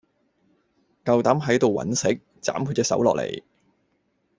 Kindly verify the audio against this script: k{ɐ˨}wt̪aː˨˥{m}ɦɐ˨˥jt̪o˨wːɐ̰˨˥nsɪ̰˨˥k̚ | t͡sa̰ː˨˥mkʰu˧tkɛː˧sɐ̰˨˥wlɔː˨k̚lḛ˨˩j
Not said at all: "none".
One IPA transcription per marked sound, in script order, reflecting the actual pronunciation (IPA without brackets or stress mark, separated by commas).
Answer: ɐ˨, m